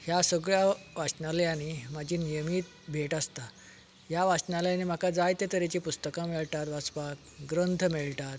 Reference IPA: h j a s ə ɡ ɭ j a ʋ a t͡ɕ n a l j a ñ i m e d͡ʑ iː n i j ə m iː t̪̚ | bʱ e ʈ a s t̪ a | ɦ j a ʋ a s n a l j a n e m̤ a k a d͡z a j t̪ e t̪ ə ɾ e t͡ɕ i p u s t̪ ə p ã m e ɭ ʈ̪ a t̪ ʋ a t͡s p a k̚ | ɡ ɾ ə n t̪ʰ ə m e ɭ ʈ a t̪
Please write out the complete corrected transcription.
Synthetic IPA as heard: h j a s ə ɡ ɭ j a ʋ a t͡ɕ n a l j a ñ i m a d͡ʑ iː n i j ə m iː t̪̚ | bʱ e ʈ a s t̪ a | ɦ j a ʋ a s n a l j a n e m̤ a k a d͡z a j t̪ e t̪ ə ɾ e t͡ɕ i p u s t̪ ə k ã m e ɭ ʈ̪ a t̪ ʋ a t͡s p a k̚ | ɡ ɾ ə n t̪ʰ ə m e ɭ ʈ a t̪

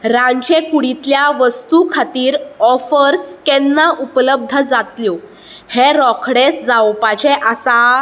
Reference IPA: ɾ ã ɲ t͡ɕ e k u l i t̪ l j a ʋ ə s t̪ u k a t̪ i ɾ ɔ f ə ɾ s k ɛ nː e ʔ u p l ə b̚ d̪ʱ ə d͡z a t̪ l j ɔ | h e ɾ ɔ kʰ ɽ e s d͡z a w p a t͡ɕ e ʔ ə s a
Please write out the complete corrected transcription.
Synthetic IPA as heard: ɾ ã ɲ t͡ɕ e k u ɽ i t̪ l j a ʋ ə s t̪ u kʰ a t̪ iː ɾ ɔ f ə ɾ s k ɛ nː a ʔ u p l ə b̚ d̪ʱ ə d͡z a t̪ l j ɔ | h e ɾ ɔ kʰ ɽ e s d͡z a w p a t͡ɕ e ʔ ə s a

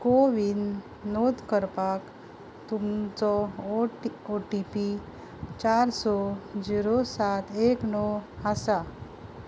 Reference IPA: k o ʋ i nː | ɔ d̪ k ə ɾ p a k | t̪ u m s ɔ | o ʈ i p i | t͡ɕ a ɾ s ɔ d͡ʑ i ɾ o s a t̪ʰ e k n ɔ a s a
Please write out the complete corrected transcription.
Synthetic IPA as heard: k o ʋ i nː | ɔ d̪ k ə ɾ p a k | t̪ u m t͡s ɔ | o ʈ i p i | t͡ɕ a ɾ s ɔ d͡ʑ i ɾ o s a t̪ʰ e k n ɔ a s a

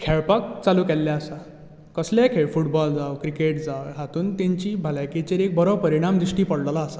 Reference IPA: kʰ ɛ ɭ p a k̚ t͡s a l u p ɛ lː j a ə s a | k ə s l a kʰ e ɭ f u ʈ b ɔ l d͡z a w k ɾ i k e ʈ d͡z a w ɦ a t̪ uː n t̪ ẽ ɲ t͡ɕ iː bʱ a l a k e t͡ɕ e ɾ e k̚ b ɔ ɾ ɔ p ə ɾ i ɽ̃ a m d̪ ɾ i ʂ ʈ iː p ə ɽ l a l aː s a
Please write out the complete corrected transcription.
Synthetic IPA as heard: kʰ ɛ ɭ p a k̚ t͡s a l u k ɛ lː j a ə s a | k ə s l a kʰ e ɭ f u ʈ b ɔ l d͡z a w k ɾ i k e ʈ d͡z a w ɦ a t̪ uː n t̪ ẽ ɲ t͡ɕ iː bʱ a l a k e t͡ɕ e ɾ e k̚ b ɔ ɾ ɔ p ə ɾ i ɽ̃ a m d̪ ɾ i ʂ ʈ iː p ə ɽ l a l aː s a

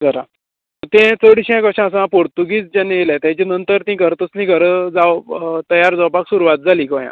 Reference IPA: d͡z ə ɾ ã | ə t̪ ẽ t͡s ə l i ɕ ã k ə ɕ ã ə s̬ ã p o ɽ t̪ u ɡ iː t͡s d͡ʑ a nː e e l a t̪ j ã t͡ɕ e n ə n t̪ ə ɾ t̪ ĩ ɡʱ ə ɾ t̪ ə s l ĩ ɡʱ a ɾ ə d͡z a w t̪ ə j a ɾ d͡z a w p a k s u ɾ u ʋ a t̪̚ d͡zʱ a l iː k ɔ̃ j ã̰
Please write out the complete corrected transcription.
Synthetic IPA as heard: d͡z ə ɾ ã | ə t̪ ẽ t͡s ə ɽ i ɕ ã k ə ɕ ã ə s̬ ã p o ɽ t̪ u ɡ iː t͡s d͡ʑ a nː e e l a t̪ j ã t͡ɕ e n ə n t̪ ə ɾ t̪ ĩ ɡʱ ə ɾ t̪ ə s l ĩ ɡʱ ə ɾ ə d͡z a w t̪ ə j a ɾ d͡z a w p a k s u ɾ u ʋ a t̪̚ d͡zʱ a l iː k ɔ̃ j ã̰

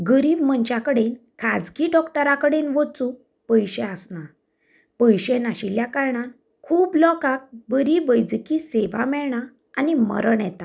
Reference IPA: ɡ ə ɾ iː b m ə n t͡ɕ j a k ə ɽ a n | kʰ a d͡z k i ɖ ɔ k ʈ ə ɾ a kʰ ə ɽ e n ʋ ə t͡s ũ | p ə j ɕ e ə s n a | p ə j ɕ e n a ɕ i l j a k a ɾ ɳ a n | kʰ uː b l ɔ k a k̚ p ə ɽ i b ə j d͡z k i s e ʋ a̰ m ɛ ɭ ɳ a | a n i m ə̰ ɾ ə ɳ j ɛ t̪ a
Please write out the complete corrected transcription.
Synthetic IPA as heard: ɡ ə ɾ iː b m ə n t͡ɕ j a k ə ɽ e n | kʰ a d͡z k i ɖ ɔ k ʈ ə ɾ a k ə ɽ e n ʋ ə t͡s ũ | p ə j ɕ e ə s n a | p ə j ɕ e n a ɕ i l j a k a ɾ ɳ a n | kʰ uː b l ɔ k a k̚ b ə ɾ i b ə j d͡z k i s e ʋ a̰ m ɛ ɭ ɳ a | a n i m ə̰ ɾ ə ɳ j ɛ t̪ a

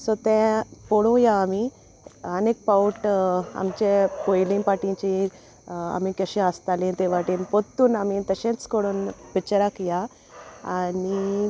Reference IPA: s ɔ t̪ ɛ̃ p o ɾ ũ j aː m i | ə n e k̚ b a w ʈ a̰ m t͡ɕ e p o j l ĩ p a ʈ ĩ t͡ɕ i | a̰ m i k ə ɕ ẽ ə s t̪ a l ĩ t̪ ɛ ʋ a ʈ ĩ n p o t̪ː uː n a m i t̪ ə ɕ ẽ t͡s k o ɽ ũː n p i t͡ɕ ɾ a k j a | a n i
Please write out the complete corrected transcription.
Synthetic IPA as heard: s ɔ t̪ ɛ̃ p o ɽ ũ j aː m i | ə n e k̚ p a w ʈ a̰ m t͡ɕ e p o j l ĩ p a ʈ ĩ t͡ɕ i | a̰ m i k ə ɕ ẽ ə s t̪ a l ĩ t̪ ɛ ʋ a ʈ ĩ n p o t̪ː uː n a m i t̪ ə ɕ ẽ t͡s k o ɽ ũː n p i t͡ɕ ɾ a k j a | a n i

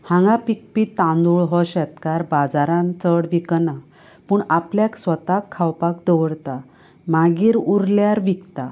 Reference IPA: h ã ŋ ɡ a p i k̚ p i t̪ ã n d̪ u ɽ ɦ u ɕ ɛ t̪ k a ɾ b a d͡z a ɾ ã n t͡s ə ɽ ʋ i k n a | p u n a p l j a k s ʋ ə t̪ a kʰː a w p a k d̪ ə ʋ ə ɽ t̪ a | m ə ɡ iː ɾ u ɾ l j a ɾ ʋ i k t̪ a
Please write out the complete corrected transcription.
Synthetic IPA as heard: h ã ŋ ɡ a p i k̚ p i t̪ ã n d̪ u ɭ ɦ ɔ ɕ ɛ t̪ k a ɾ b a d͡z a ɾ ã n t͡s ə ɽ ʋ i k n a | p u ɳ a p l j a k s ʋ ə t̪ a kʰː a w p a k d̪ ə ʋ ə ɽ t̪ a | m a ɡ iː ɾ u ɾ l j a ɾ ʋ i k t̪ a

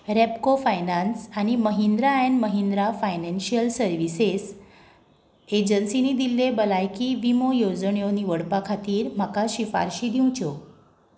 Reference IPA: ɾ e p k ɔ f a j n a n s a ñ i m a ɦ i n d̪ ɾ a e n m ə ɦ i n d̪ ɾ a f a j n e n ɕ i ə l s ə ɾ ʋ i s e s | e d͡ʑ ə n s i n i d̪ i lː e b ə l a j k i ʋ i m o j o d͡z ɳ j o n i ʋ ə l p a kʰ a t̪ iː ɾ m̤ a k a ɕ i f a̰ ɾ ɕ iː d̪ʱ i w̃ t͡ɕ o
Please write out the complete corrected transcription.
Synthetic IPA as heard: ɾ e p k o f a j n a n s a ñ i m ə ɦ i n d̪ ɾ a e n m ə ɦ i n d̪ ɾ a f a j n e n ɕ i ə l s ə ɾ ʋ i s e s | e d͡ʑ ə n s i n i d̪ i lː e b ə l a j k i ʋ i m o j o d͡z ɳ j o n i ʋ ə ɽ p a kʰ a t̪ iː ɾ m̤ a k a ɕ i f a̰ ɾ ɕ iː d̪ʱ i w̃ t͡ɕ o

